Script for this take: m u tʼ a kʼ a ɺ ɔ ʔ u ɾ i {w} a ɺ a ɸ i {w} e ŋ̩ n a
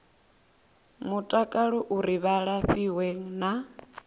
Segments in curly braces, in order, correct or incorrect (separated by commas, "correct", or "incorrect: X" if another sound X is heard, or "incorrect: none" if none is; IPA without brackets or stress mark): incorrect: β, correct